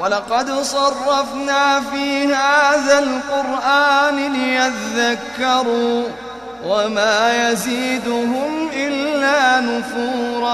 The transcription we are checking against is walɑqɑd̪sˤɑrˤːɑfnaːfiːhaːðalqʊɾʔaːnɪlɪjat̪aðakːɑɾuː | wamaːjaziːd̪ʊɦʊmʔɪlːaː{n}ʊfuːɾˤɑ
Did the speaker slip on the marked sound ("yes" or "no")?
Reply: no